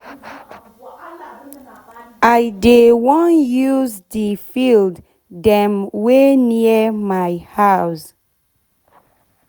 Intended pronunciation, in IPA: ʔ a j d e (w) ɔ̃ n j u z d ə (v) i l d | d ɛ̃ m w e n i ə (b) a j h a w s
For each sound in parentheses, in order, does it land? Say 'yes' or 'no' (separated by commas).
yes, no, no